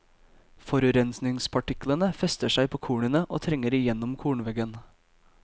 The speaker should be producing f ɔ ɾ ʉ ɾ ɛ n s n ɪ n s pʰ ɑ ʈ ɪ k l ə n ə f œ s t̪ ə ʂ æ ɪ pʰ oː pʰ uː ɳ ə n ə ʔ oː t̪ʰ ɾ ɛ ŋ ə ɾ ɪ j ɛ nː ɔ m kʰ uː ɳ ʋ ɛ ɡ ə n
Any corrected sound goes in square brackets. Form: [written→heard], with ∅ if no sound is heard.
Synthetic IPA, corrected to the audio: f ɔ ɾ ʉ ɾ ɛ n s n ɪ [n→ŋ] s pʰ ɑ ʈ ɪ k l ə n ə f [œ→ɛ] s t̪ ə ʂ æ ɪ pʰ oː [pʰ→kʰ] uː ɳ ə n ə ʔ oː t̪ʰ ɾ ɛ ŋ ə ɾ ɪ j ɛ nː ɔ m kʰ uː ɳ ʋ ɛ ɡ ə n